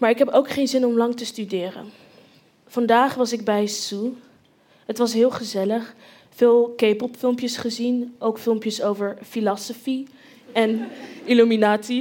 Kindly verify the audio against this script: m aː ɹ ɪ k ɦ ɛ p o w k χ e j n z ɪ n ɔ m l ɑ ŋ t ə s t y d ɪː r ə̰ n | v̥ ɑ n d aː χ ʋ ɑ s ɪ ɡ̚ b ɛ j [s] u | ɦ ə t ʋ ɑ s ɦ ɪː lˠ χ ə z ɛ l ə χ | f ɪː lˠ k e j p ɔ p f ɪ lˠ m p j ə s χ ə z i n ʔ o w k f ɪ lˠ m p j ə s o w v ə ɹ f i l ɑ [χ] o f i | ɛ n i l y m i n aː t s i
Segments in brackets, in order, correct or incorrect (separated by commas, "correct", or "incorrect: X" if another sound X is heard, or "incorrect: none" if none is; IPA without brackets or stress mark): correct, incorrect: s